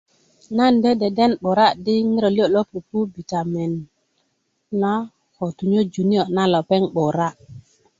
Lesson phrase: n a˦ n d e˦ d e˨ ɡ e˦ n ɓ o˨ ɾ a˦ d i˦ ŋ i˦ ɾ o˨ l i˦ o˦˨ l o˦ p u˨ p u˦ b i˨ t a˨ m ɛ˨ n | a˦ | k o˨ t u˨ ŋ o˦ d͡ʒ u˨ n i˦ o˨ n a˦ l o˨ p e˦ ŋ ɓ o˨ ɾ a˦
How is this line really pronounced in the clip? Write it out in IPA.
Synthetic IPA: n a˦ n d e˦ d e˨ d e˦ n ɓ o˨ ɾ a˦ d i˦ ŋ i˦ ɾ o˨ l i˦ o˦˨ l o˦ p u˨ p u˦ b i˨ t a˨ m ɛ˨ n | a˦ | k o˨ t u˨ ɲ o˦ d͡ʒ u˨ n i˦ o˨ n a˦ l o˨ p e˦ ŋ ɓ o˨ ɾ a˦